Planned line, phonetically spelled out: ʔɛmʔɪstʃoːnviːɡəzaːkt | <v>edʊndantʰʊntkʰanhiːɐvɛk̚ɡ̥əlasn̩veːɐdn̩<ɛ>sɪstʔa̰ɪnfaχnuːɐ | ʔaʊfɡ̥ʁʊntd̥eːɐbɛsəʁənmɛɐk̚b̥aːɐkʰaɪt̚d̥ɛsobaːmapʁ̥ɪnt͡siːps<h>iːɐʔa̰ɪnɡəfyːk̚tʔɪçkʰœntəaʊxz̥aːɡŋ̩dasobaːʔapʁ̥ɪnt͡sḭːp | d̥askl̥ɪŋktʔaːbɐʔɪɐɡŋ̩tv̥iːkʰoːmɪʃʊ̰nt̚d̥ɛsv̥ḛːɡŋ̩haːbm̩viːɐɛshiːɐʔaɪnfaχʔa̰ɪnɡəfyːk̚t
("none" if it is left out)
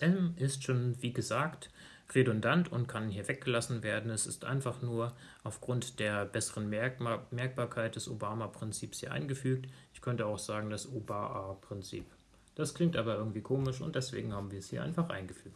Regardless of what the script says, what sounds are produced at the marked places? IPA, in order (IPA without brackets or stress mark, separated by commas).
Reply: ʁ, ɛ, h